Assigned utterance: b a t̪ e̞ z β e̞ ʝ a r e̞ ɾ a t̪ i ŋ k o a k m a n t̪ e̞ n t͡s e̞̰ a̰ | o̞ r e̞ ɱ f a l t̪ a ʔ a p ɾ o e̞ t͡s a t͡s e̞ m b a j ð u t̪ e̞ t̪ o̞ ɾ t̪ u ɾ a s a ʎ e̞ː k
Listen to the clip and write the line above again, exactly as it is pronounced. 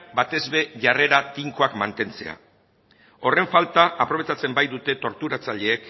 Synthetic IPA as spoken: b a t̪ e̞ z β e̞ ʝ a r e̞ ɾ a t̪ i ŋ k o a k m a n t̪ e̞ n t͡s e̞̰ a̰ | o̞ r e̞ ɱ f a l t̪ a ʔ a p ɾ o e̞ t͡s a t͡s e̞ m b a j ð u t̪ e̞ t̪ o̞ ɾ t̪ u ɾ a t͡s a ʎ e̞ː k